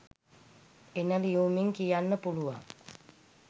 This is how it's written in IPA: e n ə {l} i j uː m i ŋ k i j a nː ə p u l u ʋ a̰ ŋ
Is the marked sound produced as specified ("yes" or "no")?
yes